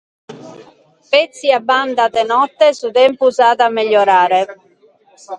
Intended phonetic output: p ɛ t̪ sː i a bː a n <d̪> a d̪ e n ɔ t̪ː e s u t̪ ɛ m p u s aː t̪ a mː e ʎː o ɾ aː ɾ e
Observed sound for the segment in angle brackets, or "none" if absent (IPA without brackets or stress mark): d̪